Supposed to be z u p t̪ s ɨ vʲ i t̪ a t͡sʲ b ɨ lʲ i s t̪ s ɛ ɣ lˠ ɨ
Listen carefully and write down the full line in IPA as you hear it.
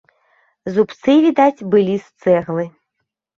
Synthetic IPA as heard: z u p t̪ s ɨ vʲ i d̪ a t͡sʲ b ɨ lʲ i s t̪ s ɛ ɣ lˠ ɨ